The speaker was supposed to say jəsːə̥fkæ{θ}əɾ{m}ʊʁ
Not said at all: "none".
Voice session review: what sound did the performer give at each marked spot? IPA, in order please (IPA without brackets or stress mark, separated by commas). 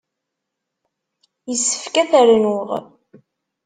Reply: θ, n